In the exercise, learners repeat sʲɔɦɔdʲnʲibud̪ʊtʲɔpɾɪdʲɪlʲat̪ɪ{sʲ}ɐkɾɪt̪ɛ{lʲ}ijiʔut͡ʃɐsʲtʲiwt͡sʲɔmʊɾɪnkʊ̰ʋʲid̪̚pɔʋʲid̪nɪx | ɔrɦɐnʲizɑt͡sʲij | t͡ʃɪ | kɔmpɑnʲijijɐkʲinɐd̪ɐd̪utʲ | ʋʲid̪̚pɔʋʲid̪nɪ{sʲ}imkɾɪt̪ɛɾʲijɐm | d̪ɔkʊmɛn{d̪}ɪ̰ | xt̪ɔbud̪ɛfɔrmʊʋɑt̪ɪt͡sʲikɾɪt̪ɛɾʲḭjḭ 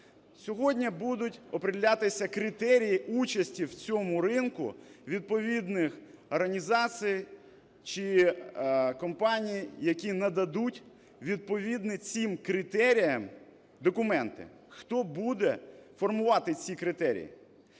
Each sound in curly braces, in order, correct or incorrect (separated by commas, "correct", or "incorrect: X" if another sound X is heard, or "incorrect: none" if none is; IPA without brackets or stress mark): correct, incorrect: ɾʲ, incorrect: t͡sʲ, incorrect: t̪